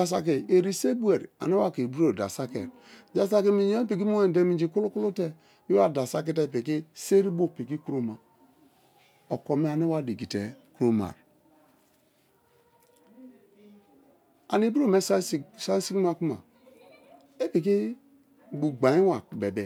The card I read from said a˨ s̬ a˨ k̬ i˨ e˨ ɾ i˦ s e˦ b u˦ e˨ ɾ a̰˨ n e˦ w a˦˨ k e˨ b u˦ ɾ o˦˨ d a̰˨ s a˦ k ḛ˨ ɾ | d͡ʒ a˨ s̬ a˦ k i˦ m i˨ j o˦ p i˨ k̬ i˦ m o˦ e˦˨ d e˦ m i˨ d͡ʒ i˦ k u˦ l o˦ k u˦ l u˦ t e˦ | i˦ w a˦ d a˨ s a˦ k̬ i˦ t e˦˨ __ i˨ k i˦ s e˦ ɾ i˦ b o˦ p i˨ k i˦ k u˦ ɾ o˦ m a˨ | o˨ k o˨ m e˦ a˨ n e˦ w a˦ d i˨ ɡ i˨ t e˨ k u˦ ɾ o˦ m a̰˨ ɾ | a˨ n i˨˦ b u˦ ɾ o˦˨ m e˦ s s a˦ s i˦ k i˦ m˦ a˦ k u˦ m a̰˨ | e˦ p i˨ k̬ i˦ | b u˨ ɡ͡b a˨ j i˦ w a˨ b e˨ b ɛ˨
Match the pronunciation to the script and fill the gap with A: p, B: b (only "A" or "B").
A